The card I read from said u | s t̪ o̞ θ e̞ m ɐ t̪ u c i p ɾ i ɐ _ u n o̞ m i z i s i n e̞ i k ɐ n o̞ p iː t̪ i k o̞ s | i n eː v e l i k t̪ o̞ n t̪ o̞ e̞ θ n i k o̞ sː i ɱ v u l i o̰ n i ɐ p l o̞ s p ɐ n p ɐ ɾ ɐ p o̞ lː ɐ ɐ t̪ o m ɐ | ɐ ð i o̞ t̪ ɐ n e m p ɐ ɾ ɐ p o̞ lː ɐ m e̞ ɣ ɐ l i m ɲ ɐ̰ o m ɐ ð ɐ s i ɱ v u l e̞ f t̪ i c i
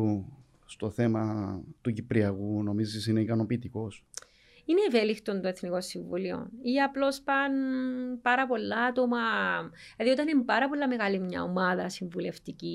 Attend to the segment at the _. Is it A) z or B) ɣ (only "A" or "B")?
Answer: B